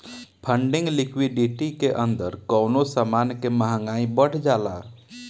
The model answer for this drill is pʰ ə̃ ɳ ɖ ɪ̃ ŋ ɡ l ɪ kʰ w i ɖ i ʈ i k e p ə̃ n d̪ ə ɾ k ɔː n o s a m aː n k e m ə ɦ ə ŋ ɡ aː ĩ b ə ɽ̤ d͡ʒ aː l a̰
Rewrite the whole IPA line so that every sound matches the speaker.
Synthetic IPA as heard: pʰ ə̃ ɳ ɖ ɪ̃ ŋ ɡ l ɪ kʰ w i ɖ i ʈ i k e ʔ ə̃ n d̪ ə ɾ k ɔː n o s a m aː n k e m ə ɦ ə ŋ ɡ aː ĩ b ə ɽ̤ d͡ʒ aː l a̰